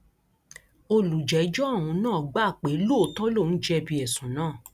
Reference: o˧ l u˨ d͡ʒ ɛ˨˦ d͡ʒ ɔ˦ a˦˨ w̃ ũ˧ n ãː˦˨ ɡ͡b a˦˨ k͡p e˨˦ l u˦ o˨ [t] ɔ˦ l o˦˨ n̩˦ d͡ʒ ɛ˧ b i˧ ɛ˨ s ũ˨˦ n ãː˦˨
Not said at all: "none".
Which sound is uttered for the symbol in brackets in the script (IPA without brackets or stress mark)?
t